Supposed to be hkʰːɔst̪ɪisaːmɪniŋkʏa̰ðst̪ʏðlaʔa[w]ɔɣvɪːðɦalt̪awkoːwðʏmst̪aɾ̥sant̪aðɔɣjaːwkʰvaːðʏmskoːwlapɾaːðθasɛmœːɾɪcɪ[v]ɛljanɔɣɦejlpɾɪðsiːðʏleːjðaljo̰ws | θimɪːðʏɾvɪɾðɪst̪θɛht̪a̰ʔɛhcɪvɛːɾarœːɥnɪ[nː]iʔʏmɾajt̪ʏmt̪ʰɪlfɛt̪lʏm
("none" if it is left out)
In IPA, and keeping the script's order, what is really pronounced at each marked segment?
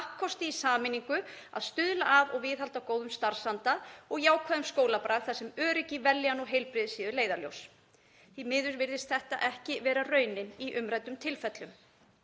v, v, n

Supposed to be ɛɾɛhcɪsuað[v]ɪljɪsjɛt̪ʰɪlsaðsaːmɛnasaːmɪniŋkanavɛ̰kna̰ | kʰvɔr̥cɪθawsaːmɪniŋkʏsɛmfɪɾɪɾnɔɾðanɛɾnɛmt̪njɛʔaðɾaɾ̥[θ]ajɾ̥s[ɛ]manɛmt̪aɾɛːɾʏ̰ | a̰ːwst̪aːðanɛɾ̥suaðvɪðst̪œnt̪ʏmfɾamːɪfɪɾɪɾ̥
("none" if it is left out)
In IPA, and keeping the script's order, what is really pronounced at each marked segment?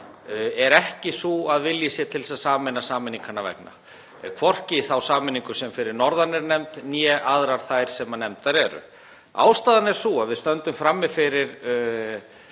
v, θ, ɛ

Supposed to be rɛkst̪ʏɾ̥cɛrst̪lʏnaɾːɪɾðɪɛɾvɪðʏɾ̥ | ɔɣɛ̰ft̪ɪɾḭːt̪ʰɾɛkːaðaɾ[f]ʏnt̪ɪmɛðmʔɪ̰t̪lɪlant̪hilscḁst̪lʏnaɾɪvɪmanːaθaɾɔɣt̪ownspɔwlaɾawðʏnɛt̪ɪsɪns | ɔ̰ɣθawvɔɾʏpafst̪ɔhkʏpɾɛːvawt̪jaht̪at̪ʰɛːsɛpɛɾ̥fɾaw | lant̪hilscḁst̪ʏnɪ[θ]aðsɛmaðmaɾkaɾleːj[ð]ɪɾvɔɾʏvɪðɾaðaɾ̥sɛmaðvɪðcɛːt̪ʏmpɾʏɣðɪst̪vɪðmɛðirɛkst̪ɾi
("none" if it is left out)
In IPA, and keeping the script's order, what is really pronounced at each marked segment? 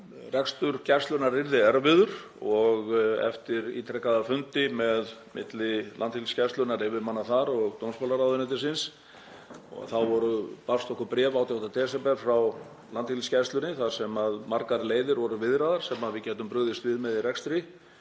f, θ, ð

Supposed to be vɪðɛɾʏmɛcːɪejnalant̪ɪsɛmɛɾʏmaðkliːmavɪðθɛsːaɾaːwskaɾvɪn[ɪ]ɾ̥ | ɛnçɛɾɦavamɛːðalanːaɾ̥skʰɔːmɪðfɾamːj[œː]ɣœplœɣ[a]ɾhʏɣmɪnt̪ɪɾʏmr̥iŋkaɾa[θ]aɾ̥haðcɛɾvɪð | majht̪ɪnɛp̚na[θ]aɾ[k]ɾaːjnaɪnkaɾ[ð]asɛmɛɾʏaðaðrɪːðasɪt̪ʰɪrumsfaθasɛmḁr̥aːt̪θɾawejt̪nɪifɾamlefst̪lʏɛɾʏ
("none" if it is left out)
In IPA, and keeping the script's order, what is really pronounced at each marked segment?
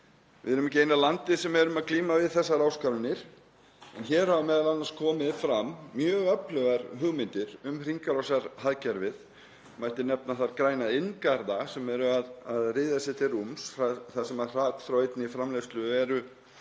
ɪ, œː, a, s, θ, k, ð

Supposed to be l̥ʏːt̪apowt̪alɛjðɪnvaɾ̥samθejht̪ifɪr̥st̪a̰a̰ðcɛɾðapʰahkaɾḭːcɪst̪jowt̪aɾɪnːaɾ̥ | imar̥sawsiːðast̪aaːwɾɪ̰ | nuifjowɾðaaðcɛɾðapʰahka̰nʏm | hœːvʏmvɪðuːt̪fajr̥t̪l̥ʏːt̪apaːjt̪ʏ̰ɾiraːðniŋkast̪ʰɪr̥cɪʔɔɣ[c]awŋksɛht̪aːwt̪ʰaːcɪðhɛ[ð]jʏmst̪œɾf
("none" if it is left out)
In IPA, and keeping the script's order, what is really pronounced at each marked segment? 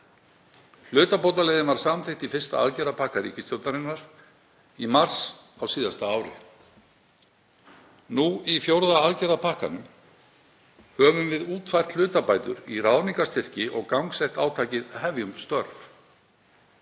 k, v

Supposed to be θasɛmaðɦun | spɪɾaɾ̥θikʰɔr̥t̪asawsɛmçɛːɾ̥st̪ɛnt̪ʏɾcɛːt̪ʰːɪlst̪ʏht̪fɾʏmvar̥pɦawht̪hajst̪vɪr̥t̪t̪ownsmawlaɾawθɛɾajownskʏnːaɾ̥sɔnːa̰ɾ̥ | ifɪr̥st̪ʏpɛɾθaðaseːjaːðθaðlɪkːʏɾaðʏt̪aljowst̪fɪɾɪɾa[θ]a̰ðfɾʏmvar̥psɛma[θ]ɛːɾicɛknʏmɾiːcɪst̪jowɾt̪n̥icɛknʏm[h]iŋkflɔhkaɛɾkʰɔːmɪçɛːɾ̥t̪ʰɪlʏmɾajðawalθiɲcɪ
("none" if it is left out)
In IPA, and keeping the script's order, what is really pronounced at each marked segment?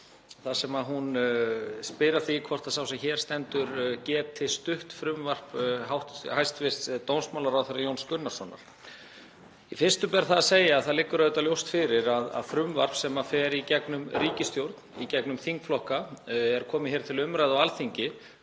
ð, f, θ

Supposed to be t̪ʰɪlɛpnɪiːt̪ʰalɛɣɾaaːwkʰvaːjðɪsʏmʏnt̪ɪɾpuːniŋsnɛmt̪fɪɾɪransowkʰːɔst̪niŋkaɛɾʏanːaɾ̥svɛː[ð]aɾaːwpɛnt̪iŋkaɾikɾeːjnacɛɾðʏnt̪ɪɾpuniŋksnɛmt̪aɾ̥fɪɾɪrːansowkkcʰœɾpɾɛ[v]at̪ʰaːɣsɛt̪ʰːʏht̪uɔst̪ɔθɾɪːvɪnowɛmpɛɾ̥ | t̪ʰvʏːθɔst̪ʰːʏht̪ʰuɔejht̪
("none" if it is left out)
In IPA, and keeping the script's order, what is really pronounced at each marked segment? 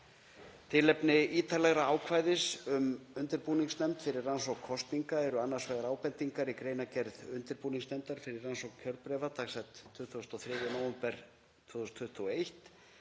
ɣ, v

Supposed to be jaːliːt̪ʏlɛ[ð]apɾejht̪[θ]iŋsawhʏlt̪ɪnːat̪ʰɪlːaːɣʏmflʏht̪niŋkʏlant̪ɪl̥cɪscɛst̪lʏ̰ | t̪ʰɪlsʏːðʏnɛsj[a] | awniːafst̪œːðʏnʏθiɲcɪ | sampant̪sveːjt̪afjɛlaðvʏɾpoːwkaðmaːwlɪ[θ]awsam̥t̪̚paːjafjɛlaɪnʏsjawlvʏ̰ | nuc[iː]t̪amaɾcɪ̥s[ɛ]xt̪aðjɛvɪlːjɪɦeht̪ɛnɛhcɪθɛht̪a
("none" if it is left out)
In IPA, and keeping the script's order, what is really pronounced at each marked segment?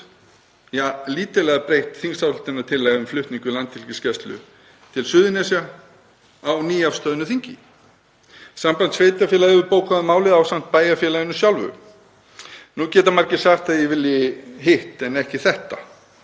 ɣ, θ, a, ð, ɛː, a

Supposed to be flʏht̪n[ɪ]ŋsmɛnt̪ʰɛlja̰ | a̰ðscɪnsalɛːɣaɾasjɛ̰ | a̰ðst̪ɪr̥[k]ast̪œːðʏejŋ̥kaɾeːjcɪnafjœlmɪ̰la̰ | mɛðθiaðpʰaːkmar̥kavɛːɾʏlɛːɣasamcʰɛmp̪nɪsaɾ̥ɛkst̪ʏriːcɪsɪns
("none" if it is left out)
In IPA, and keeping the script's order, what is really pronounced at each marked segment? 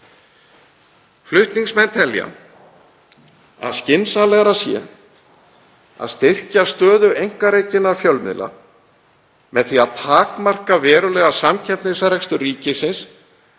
i, c

